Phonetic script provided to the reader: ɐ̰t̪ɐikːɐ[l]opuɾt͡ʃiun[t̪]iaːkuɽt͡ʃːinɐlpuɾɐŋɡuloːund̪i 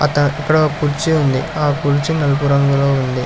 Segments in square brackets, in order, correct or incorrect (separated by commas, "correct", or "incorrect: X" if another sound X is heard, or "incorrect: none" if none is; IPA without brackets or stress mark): incorrect: ɽ, incorrect: d̪